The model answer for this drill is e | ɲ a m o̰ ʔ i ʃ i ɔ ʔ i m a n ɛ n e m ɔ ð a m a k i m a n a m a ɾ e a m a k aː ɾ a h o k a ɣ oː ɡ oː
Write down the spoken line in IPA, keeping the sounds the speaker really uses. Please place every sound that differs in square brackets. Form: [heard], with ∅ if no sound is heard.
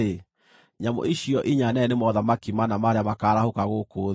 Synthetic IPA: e | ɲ a m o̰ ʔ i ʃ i ɔ ʔ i [ɲ] a n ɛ n e m ɔ ð a m a k i m a n a m a ɾ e a m a k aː ɾ a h o k a ɣ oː [k] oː